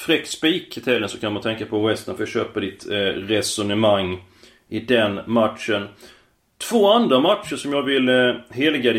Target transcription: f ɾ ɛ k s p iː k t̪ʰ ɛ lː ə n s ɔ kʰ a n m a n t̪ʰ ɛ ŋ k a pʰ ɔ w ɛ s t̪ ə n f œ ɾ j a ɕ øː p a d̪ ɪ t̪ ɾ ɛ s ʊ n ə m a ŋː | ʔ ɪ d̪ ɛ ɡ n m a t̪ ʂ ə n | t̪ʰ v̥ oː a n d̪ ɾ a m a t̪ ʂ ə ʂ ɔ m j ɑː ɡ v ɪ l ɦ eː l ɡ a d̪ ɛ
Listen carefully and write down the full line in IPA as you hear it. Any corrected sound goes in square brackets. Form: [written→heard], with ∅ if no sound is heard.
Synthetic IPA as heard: f ɾ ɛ k s p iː k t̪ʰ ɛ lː ə n s ɔ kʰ a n m a n t̪ʰ ɛ ŋ k a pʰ ɔ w ɛ s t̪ ə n f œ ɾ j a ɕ øː p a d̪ ɪ t̪ ɾ ɛ s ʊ n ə m a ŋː | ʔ ɪ d̪ ɛ [ɡ→∅] n m a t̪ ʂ ə n | t̪ʰ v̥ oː a n d̪ ɾ a m a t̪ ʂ ə ʂ ɔ m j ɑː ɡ v ɪ l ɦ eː l ɡ a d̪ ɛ